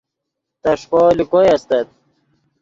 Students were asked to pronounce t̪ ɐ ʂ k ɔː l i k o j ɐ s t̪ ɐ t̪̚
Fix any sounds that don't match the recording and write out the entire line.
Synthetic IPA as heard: t̪ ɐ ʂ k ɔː l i k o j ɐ s t̪ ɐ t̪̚

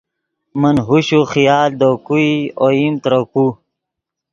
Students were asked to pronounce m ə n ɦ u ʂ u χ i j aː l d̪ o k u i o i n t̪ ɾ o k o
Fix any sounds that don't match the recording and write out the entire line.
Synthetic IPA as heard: m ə n ɦ u ɕ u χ i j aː l d̪ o k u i o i m t̪ ɾ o k u

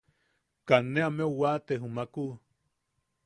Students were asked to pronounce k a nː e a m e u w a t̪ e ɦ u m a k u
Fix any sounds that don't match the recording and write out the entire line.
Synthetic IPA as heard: k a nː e a m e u w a t̪ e ɦ u m a k u

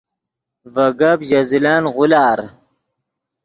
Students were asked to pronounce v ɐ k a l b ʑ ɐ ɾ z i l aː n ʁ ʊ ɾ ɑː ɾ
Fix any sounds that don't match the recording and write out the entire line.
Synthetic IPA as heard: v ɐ ɡ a b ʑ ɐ z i l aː n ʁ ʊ l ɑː ɾ

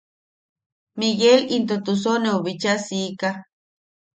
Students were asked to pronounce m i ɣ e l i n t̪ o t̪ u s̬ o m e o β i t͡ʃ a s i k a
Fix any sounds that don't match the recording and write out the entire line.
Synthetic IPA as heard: m i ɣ e l i n t̪ o t̪ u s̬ o n e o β i t͡ʃ a s i k a

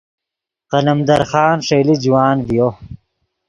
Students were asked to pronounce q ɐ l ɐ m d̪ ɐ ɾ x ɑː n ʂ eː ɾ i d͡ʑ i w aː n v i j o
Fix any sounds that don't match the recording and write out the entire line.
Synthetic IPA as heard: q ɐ l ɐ m d̪ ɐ ɾ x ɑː n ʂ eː l i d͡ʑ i w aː n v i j o

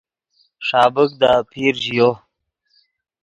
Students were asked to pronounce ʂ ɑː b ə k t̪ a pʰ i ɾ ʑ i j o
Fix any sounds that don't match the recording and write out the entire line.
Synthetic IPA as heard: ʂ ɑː b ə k d̪ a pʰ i ɾ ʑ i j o

